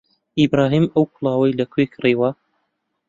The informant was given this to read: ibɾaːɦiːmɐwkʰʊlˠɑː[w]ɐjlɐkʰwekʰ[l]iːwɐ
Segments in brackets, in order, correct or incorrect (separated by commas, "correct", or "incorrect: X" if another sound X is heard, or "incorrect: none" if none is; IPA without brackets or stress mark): correct, incorrect: r